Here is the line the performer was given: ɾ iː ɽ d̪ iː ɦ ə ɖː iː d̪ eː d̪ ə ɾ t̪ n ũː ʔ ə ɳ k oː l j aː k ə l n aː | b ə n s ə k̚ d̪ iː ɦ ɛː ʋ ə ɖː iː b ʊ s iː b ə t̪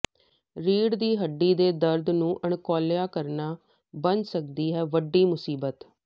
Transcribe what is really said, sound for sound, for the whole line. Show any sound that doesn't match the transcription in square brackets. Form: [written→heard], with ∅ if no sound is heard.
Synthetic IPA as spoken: ɾ iː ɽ d̪ iː ɦ ə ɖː iː d̪ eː d̪ ə ɾ [t̪→d̪] n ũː ʔ ə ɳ k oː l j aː k ə [l→ɾ] n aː | b ə n s ə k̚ d̪ iː ɦ ɛː ʋ ə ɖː iː [b→m] ʊ s iː b ə t̪